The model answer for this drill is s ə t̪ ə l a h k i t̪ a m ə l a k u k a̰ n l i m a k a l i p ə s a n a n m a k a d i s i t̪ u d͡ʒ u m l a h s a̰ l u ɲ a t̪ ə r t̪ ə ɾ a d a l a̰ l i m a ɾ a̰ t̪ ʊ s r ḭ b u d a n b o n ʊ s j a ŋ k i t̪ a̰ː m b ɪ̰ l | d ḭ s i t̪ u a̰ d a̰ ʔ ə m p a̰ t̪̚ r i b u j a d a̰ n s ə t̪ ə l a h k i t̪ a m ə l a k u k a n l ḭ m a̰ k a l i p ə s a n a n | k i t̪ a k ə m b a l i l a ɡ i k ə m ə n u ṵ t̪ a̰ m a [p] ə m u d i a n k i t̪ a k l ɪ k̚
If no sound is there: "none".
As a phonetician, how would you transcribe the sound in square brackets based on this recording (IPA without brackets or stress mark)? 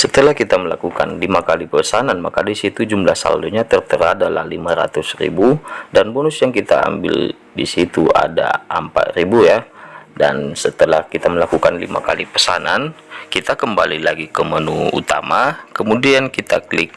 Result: k